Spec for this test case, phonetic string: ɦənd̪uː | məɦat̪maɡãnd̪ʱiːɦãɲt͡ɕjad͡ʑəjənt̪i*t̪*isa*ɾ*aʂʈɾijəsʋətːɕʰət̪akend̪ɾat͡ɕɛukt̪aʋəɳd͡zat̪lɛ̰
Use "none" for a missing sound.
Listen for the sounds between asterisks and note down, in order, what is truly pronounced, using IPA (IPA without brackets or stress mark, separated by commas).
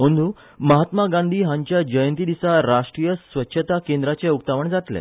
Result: d̪, ɾ